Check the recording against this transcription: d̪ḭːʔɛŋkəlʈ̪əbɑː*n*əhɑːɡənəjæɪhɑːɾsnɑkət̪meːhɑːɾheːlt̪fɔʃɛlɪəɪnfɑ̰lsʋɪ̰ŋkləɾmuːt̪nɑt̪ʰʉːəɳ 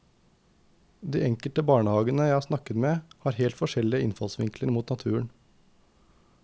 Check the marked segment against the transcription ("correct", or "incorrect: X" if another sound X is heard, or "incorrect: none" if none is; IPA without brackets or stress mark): incorrect: ɳ